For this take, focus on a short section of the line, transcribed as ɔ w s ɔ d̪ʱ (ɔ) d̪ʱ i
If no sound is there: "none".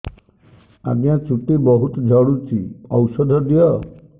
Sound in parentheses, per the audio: ɔ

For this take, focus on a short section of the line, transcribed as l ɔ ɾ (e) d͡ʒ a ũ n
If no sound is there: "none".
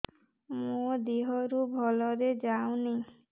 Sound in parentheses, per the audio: e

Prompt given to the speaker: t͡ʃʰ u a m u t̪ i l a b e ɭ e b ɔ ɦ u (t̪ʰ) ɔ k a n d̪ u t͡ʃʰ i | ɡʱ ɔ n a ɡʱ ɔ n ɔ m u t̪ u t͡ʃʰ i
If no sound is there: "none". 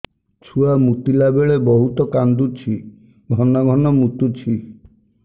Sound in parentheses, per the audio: t̪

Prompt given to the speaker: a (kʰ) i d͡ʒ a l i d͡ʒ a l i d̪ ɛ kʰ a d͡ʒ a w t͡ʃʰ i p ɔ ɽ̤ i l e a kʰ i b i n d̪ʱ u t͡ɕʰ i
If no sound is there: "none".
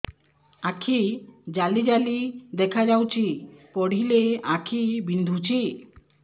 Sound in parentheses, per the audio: kʰ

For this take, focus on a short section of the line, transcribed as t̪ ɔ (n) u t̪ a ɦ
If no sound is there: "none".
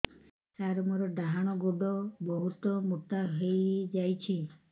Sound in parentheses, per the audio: m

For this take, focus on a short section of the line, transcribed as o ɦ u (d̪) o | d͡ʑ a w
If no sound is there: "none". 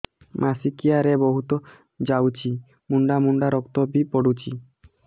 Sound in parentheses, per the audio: t̪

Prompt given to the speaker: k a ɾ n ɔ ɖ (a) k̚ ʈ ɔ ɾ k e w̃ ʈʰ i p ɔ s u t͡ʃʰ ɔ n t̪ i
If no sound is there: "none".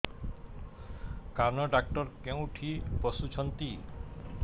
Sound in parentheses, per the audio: a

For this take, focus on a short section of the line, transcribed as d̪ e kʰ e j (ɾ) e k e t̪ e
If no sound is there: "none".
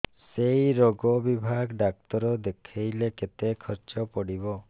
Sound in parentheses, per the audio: l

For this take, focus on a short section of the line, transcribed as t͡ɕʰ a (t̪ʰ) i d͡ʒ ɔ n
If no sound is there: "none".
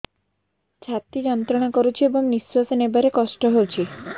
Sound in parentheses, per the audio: t̪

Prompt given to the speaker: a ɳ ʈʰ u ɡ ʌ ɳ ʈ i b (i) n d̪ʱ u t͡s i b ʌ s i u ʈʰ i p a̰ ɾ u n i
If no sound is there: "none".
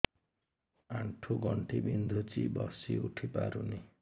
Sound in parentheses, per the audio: i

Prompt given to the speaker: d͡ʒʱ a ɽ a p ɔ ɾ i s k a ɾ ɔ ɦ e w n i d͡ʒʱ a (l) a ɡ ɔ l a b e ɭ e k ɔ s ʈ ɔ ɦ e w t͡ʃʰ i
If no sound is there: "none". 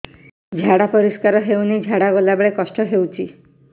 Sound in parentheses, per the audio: ɽ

